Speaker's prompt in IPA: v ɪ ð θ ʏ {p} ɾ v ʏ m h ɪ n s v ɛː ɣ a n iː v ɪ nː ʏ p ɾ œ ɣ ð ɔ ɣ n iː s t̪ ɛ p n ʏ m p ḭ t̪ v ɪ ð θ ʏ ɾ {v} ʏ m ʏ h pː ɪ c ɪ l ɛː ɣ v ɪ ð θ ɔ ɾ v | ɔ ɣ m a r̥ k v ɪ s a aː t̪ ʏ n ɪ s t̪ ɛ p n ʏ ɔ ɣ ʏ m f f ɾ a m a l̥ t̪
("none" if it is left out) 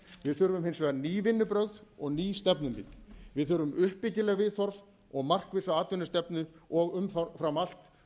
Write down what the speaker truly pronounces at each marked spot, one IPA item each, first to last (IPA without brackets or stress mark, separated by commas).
none, v